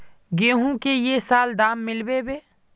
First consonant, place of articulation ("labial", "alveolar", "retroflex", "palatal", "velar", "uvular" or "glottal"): velar